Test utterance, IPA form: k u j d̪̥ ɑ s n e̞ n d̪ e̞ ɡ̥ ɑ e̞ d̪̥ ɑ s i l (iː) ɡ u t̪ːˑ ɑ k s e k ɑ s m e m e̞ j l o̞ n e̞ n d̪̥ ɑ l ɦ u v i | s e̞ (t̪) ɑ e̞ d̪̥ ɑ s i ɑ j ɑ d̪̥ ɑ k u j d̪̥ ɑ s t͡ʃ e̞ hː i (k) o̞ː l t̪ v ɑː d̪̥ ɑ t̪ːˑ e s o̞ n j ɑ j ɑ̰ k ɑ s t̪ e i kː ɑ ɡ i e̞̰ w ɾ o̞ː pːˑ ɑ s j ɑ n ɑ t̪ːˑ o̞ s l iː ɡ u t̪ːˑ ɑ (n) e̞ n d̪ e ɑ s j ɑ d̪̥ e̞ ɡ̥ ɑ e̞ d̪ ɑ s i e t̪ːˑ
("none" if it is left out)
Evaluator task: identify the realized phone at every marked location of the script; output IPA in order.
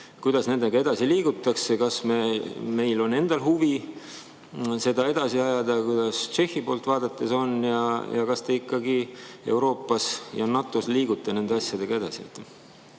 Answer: iː, d̪, p, n

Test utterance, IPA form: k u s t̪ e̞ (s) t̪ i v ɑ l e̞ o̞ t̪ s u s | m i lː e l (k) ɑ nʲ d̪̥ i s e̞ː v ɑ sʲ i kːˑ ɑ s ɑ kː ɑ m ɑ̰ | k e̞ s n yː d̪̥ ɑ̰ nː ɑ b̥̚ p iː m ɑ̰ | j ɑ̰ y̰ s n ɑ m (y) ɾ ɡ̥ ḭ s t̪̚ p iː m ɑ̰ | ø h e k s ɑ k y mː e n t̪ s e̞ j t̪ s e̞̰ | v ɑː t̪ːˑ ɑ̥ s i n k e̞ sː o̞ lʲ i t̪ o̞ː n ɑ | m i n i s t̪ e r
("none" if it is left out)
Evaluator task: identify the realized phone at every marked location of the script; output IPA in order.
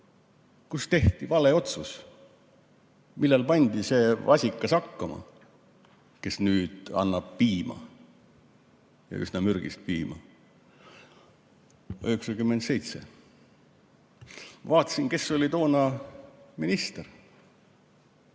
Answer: h, p, y

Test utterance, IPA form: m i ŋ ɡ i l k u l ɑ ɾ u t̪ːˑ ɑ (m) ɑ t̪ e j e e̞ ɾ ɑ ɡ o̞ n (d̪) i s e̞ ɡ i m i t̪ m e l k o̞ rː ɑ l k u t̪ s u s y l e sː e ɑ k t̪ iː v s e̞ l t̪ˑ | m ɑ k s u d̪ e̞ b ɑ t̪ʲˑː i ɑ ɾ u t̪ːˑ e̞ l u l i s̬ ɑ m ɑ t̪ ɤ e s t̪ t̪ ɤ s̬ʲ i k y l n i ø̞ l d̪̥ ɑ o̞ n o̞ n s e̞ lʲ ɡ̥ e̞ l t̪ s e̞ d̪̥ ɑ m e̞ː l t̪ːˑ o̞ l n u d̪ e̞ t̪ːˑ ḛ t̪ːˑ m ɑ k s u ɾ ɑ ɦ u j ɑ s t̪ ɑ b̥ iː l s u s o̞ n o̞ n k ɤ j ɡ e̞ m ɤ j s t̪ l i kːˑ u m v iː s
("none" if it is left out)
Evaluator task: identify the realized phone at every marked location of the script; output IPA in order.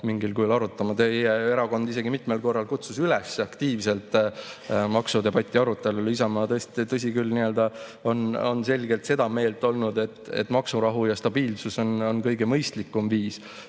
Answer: m, d̪

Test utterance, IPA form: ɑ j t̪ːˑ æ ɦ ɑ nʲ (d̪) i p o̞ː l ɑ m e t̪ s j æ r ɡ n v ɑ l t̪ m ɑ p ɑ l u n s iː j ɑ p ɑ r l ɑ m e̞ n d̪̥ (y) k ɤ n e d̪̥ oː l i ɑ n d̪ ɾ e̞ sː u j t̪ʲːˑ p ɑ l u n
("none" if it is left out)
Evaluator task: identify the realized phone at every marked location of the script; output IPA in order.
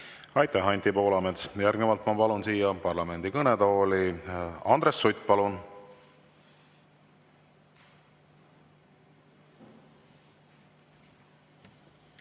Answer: t̪, i

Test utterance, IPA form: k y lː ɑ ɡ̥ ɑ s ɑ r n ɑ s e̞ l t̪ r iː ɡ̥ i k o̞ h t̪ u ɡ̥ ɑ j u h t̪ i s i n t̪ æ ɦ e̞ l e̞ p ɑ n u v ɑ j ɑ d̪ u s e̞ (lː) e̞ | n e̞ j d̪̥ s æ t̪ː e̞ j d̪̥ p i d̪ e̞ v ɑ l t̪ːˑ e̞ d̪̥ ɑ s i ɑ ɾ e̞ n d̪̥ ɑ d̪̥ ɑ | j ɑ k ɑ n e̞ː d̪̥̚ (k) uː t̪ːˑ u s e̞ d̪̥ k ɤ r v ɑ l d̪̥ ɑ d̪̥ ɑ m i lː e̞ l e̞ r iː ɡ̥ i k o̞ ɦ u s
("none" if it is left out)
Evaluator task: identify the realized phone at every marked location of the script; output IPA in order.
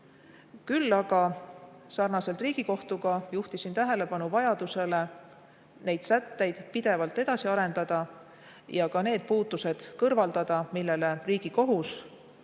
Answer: l, p

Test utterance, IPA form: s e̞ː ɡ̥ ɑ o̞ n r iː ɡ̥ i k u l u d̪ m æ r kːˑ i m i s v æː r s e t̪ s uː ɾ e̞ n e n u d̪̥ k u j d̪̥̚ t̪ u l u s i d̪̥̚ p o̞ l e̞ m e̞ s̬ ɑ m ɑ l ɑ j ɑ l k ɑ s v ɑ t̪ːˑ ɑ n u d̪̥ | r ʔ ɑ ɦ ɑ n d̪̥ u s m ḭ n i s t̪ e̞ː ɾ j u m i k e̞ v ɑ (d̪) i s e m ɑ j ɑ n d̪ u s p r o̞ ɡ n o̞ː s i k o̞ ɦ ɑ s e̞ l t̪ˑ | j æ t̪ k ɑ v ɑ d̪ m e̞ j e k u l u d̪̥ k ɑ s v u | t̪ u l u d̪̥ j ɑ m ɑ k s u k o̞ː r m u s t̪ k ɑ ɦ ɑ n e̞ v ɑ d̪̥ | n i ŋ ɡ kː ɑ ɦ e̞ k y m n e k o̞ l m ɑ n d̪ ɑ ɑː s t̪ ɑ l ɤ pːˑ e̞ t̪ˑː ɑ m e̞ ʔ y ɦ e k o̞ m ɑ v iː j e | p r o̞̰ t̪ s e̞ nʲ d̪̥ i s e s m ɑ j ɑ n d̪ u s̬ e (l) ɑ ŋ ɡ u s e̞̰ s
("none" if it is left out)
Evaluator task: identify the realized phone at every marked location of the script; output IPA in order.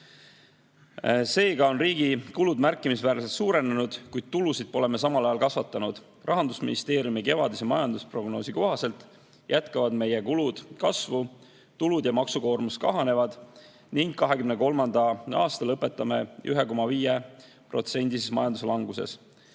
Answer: d̪, l

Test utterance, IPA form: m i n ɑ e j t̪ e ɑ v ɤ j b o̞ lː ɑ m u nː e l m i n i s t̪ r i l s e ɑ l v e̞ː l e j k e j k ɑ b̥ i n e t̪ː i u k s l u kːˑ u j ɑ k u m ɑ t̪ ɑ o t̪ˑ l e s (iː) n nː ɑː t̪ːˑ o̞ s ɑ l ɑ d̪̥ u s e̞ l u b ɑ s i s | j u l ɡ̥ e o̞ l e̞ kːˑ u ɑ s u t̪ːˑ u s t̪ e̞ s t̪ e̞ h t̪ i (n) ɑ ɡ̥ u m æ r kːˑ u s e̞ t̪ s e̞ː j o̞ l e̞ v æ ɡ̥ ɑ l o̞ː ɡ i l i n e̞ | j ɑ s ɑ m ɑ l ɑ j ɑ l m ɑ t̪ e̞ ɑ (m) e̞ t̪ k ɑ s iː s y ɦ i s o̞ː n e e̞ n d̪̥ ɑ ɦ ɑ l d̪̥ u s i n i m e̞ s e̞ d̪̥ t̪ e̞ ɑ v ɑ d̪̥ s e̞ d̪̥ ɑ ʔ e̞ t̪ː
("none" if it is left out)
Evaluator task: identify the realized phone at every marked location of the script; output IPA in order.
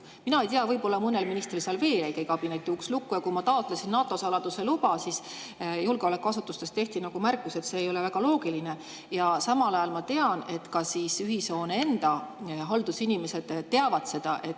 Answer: i, n, n

